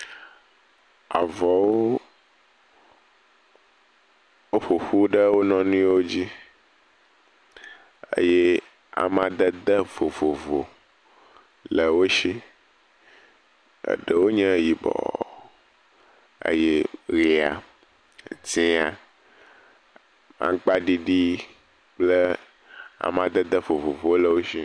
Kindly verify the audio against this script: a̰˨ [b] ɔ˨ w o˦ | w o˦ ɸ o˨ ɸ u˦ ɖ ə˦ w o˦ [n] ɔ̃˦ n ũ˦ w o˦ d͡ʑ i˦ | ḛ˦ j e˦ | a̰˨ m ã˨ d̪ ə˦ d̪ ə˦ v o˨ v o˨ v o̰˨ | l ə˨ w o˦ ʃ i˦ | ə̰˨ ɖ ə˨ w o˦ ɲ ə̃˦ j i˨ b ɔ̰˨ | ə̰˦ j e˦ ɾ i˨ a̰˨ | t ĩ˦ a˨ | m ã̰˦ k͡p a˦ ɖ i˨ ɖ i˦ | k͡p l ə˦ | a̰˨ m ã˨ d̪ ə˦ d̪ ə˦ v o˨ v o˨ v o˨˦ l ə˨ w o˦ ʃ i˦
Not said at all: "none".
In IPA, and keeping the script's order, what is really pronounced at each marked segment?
v, n

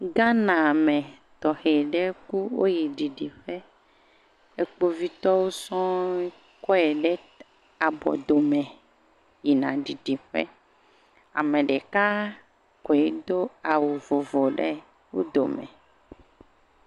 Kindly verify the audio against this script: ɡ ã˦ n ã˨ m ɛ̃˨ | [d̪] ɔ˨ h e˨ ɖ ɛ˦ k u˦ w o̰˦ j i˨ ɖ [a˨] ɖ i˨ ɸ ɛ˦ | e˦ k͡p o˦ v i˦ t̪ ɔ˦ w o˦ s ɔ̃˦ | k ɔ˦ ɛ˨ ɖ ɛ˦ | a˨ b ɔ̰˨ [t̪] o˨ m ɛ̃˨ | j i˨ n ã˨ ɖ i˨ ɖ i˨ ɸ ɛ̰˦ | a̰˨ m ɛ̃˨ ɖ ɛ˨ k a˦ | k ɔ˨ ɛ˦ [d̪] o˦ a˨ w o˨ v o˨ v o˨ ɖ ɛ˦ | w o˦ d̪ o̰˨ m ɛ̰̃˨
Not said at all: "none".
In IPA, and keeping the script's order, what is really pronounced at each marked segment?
t̪, i˨, d̪, d̪

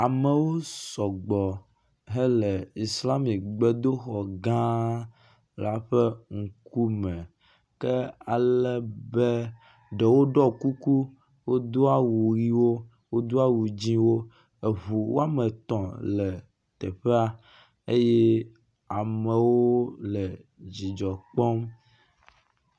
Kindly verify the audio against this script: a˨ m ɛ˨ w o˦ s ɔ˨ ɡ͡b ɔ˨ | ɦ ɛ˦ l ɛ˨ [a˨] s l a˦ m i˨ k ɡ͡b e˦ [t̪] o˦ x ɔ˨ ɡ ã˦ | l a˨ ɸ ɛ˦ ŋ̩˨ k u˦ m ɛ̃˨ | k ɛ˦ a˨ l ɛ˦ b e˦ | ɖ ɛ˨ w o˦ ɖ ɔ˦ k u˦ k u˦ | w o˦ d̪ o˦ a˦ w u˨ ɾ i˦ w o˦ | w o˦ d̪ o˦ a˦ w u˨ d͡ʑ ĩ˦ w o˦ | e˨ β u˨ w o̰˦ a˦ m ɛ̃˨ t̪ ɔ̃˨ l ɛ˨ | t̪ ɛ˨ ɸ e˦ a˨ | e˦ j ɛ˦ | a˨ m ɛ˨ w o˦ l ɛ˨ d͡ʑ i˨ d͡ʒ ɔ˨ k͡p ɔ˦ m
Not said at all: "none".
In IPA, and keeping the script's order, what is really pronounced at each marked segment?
i˨, d̪

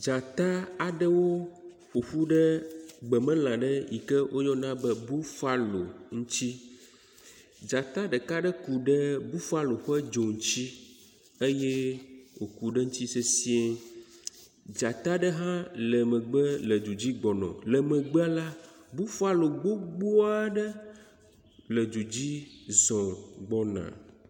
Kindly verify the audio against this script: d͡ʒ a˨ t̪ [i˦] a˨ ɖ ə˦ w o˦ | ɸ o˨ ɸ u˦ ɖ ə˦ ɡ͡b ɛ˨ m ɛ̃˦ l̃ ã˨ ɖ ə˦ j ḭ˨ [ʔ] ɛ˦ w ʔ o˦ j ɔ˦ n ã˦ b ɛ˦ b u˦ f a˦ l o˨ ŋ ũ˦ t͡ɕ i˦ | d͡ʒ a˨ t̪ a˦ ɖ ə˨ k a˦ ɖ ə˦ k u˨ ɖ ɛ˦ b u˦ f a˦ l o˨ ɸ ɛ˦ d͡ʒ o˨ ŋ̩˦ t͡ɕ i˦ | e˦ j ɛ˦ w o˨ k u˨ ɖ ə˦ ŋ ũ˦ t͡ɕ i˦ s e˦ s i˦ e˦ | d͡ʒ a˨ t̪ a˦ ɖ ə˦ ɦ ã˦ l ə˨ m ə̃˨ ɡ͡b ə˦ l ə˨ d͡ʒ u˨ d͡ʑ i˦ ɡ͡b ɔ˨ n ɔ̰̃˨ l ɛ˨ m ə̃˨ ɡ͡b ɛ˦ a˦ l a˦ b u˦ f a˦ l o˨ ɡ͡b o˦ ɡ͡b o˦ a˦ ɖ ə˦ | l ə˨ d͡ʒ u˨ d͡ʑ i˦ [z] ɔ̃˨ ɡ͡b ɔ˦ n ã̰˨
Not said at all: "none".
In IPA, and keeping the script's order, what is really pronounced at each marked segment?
a˦, k, z

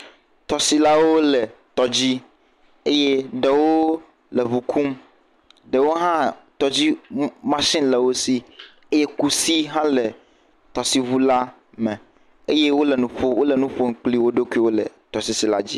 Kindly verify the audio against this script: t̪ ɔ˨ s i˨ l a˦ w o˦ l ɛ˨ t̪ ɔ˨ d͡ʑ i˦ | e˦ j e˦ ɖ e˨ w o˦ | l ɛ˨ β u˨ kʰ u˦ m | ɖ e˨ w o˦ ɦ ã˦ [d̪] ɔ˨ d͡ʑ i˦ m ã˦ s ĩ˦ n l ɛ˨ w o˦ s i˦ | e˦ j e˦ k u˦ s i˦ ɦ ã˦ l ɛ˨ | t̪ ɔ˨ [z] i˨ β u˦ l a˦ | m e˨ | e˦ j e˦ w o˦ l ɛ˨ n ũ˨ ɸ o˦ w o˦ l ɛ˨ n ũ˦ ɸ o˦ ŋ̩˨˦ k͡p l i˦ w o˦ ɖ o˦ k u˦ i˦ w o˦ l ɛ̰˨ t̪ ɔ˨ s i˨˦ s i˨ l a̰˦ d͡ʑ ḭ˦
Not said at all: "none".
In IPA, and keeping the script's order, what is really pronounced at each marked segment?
t̪, s

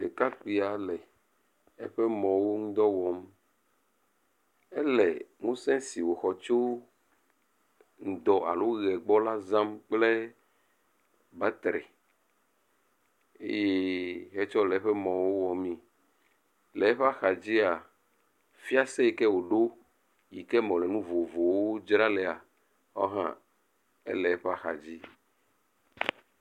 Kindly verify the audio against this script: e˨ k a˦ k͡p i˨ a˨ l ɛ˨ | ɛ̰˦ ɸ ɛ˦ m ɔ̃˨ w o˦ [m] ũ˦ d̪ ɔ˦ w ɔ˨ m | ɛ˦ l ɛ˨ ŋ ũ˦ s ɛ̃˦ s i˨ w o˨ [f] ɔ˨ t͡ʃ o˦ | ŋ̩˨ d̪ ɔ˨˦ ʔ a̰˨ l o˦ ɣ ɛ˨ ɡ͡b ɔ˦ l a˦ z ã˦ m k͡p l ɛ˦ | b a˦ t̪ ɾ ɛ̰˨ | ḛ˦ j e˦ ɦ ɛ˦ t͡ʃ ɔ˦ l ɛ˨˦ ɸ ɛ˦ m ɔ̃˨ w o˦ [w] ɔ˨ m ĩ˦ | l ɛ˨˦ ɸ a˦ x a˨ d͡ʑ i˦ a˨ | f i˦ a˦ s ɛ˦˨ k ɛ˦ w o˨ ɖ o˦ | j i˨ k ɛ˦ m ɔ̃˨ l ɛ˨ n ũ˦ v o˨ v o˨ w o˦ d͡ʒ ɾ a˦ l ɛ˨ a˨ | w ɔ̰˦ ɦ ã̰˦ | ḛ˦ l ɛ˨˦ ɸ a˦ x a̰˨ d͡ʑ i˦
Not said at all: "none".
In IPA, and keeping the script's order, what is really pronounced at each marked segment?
ŋ, x, w

